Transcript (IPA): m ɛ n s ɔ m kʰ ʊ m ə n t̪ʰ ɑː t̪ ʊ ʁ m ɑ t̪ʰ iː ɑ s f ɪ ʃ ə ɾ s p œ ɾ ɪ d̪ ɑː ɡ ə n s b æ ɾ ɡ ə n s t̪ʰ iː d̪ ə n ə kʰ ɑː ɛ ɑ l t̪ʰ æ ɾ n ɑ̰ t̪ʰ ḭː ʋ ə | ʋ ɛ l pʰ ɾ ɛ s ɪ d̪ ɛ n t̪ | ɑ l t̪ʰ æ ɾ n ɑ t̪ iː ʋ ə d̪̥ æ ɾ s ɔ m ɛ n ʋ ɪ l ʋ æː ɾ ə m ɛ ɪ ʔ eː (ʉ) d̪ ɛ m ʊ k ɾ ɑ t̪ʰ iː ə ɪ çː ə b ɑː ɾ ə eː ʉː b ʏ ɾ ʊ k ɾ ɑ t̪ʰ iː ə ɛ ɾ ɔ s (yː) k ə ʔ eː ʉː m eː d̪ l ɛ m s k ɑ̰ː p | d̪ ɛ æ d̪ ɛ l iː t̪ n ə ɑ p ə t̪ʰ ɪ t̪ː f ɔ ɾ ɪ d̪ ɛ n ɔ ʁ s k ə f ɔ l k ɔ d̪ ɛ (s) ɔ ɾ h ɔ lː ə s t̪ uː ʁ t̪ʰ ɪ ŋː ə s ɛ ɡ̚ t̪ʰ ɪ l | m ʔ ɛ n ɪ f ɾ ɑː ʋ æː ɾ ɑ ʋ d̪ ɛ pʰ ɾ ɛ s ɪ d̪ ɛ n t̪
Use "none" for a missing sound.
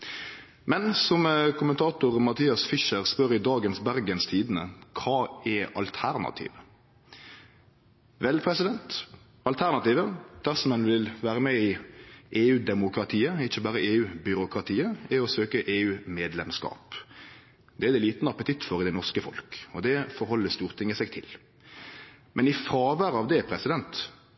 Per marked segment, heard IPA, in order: ʉː, øː, f

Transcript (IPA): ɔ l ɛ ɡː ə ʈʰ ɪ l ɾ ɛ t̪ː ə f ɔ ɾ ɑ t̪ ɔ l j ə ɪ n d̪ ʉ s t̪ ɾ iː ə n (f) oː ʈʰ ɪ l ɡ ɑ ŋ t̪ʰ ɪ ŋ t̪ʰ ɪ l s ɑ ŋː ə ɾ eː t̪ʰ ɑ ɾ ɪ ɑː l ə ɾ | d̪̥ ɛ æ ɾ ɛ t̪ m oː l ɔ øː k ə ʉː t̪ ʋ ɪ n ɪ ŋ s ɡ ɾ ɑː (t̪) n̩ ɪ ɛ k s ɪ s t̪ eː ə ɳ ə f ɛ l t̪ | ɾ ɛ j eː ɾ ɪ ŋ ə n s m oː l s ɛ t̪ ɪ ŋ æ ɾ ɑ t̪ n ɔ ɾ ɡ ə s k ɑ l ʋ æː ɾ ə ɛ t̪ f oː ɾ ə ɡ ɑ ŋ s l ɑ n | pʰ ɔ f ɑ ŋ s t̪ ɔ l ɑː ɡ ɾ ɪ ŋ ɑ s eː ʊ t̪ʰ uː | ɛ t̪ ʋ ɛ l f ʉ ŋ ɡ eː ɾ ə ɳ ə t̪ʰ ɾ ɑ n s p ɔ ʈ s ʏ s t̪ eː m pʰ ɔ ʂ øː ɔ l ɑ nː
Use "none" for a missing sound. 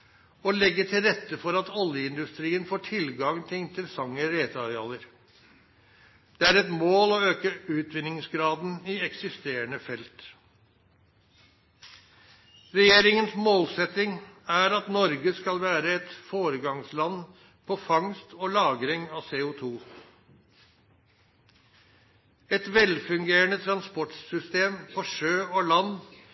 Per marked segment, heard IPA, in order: f, d̪

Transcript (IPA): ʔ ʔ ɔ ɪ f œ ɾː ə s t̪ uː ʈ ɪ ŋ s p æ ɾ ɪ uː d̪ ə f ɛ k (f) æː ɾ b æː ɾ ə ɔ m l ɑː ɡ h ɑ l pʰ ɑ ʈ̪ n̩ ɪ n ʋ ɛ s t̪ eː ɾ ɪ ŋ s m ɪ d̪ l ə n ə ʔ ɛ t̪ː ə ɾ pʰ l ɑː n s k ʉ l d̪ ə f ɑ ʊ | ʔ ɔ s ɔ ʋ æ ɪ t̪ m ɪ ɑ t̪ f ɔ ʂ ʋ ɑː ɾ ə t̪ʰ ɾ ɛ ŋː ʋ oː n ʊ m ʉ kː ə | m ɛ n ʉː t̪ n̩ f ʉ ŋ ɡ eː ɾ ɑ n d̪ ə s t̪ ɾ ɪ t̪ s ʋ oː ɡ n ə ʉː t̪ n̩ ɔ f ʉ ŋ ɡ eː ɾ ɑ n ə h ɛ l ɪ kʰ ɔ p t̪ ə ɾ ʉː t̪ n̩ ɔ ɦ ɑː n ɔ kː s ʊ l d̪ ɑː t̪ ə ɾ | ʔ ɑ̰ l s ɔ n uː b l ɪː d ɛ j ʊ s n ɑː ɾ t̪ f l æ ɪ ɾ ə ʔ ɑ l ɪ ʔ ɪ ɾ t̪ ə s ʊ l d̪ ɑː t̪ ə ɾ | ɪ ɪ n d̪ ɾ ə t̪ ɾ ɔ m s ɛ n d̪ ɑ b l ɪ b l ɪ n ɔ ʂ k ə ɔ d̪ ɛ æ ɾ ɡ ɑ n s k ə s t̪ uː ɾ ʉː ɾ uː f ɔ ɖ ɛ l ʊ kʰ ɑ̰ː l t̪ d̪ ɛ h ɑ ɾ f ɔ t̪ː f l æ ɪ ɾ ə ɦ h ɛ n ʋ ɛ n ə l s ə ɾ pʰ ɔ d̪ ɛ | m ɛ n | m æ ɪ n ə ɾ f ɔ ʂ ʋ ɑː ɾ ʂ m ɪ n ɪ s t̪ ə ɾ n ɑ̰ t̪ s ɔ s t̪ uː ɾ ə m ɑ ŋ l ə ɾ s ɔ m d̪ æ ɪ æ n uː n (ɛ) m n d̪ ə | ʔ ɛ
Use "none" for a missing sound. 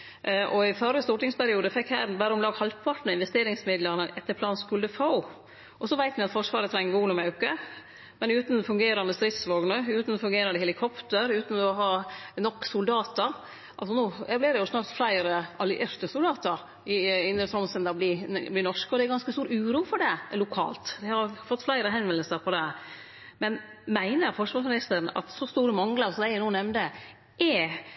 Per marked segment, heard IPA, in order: h, ɛ

